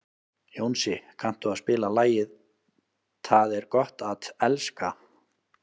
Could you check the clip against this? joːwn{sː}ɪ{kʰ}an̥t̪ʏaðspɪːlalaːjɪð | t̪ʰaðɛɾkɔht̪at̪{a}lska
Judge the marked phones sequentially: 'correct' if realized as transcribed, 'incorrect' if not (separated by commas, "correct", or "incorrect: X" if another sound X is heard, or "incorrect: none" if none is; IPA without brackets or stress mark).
incorrect: s, correct, incorrect: ɛ